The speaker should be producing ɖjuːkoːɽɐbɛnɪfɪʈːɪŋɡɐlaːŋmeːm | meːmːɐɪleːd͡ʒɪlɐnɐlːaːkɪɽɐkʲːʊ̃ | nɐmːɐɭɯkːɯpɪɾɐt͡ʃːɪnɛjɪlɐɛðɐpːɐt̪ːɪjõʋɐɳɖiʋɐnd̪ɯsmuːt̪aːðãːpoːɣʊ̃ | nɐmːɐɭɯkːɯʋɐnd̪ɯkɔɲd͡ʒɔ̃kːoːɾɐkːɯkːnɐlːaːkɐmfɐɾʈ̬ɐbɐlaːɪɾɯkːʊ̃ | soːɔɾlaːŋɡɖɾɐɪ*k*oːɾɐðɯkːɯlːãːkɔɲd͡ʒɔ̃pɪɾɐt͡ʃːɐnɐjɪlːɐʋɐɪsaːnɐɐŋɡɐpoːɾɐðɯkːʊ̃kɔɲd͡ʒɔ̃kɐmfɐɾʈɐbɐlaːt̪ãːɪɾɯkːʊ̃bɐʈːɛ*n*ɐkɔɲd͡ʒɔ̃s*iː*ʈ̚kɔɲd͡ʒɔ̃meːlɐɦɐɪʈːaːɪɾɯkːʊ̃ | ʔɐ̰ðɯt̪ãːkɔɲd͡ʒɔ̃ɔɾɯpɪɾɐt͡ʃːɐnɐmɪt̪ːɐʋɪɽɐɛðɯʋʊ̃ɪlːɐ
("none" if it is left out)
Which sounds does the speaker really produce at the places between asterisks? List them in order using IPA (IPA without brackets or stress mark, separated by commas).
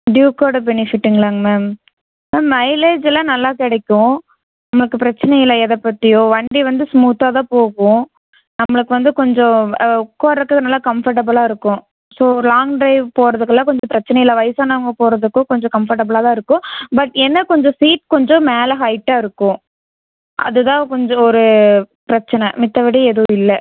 p, nː, iː